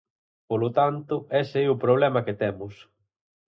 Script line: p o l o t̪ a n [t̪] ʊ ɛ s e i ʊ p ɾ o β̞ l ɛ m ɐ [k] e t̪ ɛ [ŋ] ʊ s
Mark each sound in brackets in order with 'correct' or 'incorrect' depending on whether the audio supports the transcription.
correct, correct, incorrect

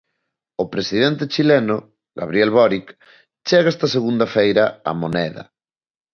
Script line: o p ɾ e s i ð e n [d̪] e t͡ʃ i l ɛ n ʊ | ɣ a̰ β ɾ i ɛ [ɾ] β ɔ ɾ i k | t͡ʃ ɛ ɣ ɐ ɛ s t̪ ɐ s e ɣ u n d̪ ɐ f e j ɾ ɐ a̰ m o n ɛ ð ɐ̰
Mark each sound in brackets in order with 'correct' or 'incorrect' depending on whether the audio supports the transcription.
incorrect, incorrect

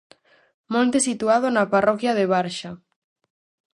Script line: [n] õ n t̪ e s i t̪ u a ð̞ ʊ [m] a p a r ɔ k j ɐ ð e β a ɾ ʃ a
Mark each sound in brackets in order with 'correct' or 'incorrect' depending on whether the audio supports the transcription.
incorrect, incorrect

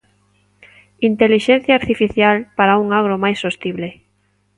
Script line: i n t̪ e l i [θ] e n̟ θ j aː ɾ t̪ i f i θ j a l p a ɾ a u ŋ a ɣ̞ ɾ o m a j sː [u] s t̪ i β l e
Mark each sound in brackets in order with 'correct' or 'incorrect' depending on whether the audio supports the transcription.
incorrect, incorrect

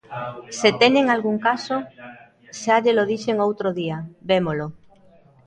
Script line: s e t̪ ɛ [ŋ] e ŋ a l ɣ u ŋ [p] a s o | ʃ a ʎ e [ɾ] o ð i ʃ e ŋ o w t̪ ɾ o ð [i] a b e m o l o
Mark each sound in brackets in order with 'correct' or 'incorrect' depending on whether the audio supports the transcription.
incorrect, incorrect, incorrect, correct

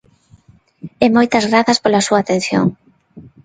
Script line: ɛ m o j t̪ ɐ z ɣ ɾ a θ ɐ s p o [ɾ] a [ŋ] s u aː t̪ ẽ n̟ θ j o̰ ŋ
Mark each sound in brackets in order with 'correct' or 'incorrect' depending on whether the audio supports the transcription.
incorrect, incorrect

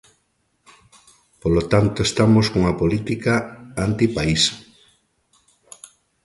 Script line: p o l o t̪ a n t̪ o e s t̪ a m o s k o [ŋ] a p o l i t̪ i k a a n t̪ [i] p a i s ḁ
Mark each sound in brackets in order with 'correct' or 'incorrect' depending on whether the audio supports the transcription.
correct, correct

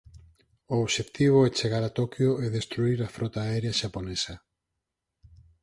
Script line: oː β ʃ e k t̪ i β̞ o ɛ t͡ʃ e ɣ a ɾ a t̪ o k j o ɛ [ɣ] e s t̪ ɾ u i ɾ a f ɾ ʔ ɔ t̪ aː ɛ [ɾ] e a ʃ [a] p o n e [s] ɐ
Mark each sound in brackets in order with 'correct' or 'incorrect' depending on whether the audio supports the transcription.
incorrect, correct, correct, correct

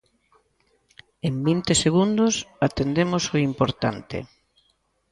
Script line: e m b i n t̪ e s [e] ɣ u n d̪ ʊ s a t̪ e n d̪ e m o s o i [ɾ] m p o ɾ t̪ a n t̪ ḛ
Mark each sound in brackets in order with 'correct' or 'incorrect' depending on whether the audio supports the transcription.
correct, incorrect

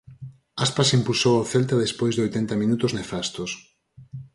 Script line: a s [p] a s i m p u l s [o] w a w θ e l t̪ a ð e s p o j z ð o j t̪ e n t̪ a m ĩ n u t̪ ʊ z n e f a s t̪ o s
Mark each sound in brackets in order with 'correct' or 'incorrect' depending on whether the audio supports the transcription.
correct, correct

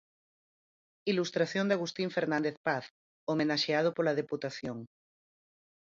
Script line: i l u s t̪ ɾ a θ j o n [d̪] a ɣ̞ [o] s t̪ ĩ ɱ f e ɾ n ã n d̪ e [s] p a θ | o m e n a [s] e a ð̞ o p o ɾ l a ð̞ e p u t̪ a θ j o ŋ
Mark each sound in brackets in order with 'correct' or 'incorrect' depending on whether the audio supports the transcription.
correct, incorrect, incorrect, incorrect

